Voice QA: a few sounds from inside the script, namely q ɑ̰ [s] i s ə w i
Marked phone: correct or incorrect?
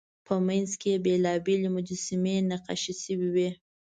incorrect